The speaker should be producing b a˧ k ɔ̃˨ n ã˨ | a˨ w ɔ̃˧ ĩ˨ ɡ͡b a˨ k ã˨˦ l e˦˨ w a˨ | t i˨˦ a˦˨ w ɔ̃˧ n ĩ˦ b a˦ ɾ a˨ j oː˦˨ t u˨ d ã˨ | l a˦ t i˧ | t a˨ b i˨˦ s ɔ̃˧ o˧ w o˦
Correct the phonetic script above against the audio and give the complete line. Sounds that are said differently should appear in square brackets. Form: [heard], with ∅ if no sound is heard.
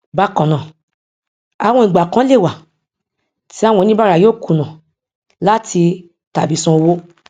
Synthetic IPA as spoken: b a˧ k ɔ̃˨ n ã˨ | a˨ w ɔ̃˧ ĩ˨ ɡ͡b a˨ k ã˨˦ l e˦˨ w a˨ | t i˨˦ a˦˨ w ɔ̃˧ n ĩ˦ b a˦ ɾ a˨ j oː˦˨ [k] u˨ [n] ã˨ | l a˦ t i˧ | t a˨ b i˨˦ s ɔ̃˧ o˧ w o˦